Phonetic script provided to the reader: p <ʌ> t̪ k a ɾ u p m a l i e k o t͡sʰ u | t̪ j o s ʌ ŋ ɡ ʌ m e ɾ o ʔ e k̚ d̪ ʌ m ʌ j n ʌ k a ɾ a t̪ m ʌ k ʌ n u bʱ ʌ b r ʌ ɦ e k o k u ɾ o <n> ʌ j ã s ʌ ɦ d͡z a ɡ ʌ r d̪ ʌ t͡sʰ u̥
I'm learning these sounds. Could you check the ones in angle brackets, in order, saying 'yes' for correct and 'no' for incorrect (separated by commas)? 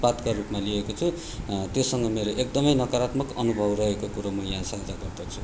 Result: no, no